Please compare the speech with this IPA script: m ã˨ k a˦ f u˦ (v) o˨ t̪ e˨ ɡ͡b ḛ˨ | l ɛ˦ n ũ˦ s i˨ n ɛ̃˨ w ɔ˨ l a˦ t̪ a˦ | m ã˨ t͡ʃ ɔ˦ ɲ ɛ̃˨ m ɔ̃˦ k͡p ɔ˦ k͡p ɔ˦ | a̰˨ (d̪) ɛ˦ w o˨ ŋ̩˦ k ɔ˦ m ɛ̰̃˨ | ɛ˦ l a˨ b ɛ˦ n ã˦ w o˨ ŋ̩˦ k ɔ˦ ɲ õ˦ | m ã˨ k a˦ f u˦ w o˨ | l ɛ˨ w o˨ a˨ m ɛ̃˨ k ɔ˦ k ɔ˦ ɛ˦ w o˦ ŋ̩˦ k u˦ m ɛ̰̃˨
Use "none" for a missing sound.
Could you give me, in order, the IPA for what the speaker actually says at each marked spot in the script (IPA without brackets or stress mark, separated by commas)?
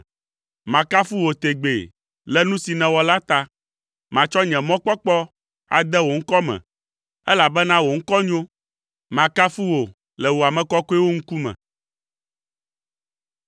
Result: w, d̪